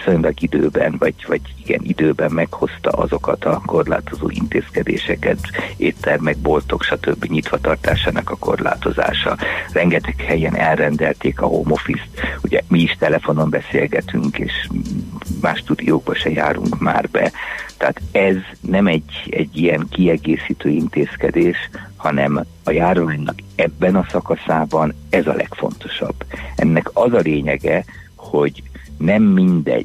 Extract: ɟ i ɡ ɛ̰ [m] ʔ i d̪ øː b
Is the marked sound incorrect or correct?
incorrect